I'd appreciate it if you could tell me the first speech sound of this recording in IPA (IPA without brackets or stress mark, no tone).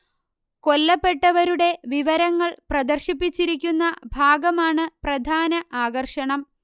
k